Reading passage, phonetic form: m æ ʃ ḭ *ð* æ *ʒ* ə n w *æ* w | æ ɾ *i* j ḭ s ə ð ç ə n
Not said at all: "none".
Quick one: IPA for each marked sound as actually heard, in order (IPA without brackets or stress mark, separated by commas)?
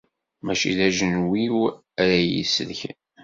ð, ʒ, i, æ